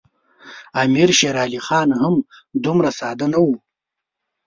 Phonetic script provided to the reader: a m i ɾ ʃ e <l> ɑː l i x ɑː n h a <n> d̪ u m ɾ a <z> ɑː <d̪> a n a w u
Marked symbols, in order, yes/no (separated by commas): no, no, no, yes